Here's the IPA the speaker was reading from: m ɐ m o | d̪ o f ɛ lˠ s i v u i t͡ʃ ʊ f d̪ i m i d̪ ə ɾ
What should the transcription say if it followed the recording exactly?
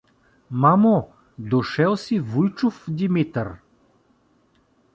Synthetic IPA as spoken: m a m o | d̪ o ʃ ɛ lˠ s i v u j t͡ʃ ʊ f d̪ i m i t̪ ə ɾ